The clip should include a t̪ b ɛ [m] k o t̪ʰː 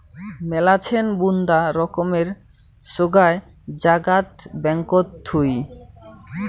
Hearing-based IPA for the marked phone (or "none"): ŋ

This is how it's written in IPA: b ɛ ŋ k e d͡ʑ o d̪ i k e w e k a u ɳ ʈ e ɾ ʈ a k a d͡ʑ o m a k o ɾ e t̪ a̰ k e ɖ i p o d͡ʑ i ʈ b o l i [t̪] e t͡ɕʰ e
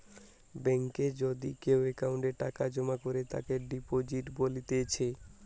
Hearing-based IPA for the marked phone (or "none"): t̪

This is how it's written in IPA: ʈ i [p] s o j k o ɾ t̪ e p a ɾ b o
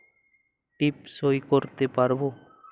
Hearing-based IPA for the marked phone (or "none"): p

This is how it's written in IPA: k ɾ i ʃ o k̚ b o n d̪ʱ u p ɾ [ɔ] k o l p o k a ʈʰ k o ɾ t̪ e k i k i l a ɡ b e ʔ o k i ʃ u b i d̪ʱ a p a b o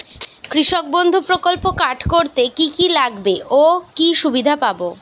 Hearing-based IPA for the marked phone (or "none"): o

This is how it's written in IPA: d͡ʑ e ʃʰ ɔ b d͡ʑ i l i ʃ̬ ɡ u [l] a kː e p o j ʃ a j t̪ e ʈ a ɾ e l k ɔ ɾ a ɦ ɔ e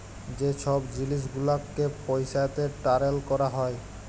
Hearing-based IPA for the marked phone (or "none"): l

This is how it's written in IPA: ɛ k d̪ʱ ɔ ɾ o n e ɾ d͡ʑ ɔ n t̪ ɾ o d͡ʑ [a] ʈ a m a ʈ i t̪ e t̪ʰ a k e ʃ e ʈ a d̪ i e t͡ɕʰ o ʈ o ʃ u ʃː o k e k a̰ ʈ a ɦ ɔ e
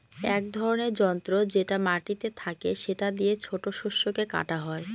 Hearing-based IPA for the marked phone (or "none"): e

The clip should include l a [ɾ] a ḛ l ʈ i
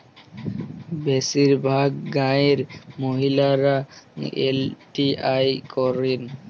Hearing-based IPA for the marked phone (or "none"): ɾ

